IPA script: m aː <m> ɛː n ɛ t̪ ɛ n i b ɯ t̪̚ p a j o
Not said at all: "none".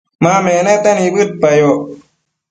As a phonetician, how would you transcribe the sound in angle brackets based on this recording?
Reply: m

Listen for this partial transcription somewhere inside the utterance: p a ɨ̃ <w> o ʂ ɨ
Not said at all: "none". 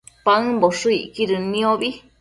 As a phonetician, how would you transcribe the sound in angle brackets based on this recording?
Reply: b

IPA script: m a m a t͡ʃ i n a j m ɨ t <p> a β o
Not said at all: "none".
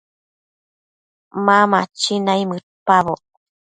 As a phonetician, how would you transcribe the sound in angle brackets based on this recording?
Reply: p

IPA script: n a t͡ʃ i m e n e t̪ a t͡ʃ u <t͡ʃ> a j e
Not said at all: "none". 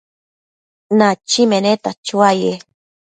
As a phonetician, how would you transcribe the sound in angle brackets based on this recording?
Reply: none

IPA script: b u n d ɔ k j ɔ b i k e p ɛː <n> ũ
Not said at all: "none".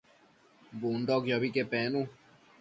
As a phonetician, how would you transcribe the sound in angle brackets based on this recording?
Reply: n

